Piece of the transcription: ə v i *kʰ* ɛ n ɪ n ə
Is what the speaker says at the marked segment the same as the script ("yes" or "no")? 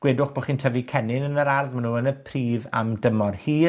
yes